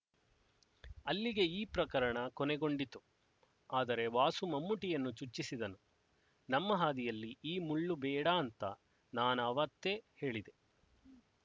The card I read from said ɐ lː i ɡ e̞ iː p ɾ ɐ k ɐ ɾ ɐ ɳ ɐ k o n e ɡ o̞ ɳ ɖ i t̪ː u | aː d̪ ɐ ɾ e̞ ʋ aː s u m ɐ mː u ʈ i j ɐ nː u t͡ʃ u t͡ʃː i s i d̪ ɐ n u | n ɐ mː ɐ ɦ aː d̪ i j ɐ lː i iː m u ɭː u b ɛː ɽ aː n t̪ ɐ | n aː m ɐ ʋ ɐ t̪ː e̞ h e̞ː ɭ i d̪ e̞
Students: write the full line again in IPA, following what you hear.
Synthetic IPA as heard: ɐ lː i ɡ e̞ iː p ɾ ɐ k ɐ ɾ ɐ ɳ ɐ k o n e ɡ o̞ ɳ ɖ i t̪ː u | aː d̪ ɐ ɾ e̞ ʋ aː s u m ɐ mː u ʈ i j ɐ nː u t͡ʃ u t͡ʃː i s i d̪ ɐ n u | n ɐ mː ɐ ɦ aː d̪ i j ɐ lː i iː m u ɭː u b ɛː ɽ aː n t̪ ɐ | n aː n ɐ ʋ ɐ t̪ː e̞ h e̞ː ɭ i d̪ e̞

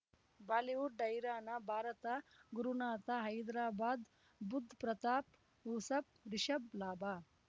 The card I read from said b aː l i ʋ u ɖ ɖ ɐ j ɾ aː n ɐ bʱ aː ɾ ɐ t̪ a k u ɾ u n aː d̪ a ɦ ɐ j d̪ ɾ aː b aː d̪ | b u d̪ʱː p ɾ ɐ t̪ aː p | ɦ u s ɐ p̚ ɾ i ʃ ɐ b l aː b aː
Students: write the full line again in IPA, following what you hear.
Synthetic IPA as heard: b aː l i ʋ u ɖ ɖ ɐ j ɾ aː n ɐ bʱ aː ɾ ɐ t̪ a ɡ u ɾ u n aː t̪ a ɦ ɐ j d̪ ɾ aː b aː d̪ | b u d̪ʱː p ɾ ɐ t̪ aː p | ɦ u s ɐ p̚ ɾ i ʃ ɐ b l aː b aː

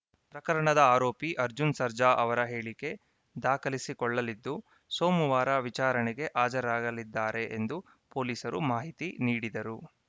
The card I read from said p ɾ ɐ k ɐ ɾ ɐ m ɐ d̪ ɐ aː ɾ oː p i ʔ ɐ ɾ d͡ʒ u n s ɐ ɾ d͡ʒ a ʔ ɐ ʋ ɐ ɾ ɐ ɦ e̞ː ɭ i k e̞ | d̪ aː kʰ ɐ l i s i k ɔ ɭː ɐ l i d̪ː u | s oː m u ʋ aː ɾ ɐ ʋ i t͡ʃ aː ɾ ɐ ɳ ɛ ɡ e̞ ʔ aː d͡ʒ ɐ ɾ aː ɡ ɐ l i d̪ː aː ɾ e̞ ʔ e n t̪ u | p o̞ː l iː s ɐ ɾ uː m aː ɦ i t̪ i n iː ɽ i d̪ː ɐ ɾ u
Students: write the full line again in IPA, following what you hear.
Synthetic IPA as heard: p ɾ ɐ k ɐ ɾ ɐ ɳ ɐ d̪ ɐ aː ɾ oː p i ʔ ɐ ɾ d͡ʒ u n s ɐ ɾ d͡ʒ a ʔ ɐ ʋ ɐ ɾ ɐ ɦ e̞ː ɭ i k e̞ | d̪ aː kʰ ɐ l i s i k ɔ ɭː ɐ l i d̪ː u | s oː m u ʋ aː ɾ ɐ ʋ i t͡ʃ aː ɾ ɐ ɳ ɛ ɡ e̞ ʔ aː d͡ʒ ɐ ɾ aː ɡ ɐ l i d̪ː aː ɾ e̞ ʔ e n d̪ u | p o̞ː l iː s ɐ ɾ u m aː ɦ i t̪ i n iː ɽ i d̪ ɐ ɾ u

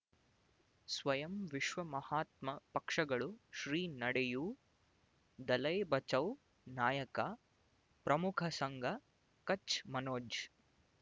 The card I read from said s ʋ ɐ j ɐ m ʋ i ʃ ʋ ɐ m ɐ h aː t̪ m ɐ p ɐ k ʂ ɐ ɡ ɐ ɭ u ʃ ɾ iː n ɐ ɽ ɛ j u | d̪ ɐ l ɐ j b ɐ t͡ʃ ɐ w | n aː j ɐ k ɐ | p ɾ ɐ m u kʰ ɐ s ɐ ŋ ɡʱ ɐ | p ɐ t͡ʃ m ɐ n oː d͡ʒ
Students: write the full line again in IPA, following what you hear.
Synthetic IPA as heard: s ʋ ɐ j ɐ m ʋ i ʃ ʋ ɐ m ɐ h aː t̪ m ɐ p ɐ k ʂ ɐ ɡ ɐ ɭ u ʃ ɾ iː n ɐ ɽ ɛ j u | d̪ ɐ l ɐ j b ɐ t͡ʃ ɐ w | n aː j ɐ k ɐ | p ɾ ɐ m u kʰ ɐ s ɐ ŋ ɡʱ ɐ | k ɐ t͡ʃ m ɐ n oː d͡ʒ

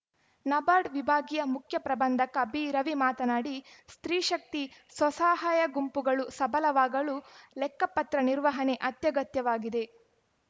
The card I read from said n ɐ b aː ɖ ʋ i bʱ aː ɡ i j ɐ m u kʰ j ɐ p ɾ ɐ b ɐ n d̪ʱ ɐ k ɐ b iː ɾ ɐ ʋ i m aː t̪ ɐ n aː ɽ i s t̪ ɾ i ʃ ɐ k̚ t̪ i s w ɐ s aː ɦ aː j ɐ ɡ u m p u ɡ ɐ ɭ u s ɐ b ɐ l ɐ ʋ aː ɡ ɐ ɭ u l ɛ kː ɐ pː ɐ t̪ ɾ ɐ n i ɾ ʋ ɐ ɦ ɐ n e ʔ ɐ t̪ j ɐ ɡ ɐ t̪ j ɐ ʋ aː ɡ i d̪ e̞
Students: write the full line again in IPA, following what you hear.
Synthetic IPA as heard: n ɐ b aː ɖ ʋ i bʱ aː ɡ i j ɐ m u kʰ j ɐ p ɾ ɐ b ɐ n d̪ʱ ɐ k ɐ b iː ɾ ɐ ʋ i m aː t̪ ɐ n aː ɽ i s t̪ ɾ iː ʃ ɐ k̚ t̪ i s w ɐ s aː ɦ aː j ɐ ɡ u m p u ɡ ɐ ɭ u s ɐ b ɐ l ɐ ʋ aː ɡ ɐ ɭ u l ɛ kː ɐ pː ɐ t̪ ɾ ɐ n i ɾ ʋ ɐ ɦ ɐ n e ʔ ɐ t̪ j ɐ ɡ ɐ t̪ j ɐ ʋ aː ɡ i d̪ e̞

